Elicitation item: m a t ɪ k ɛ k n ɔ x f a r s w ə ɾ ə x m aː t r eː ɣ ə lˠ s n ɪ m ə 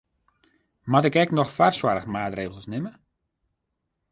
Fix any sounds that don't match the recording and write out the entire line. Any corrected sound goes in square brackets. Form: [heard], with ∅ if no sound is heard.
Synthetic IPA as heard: m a t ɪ k ɛ k n ɔ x f a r s w [a] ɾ ə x m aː t r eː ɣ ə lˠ s n ɪ m ə